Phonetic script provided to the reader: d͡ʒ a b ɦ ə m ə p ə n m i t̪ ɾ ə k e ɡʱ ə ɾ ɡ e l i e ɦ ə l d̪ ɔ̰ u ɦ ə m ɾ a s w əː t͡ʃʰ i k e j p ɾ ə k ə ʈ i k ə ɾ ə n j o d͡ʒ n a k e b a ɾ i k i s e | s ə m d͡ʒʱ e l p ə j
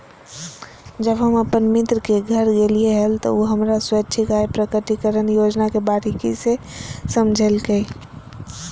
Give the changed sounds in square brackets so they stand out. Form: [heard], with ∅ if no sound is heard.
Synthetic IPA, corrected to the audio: d͡ʒ [ə] b ɦ ə m ə p ə n m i t̪ ɾ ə k e ɡʱ ə ɾ ɡ e l i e ɦ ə l [t̪] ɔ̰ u ɦ ə m ɾ a s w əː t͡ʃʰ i k [a] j p ɾ ə k ə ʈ i k ə ɾ ə n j o d͡ʒ n a k e b a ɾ i k i s e | s ə m d͡ʒʱ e l [k] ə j